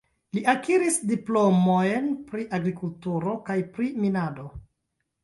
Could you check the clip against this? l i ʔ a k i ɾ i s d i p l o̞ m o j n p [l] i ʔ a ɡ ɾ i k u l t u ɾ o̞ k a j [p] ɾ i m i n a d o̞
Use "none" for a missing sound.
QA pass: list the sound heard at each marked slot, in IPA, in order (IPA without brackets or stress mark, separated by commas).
ɾ, p